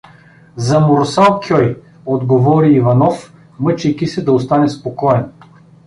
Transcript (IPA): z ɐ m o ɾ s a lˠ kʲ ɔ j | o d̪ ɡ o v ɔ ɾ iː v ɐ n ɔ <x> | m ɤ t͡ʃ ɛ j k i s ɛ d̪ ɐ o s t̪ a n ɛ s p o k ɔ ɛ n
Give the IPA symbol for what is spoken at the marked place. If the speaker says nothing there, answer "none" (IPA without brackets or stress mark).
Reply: f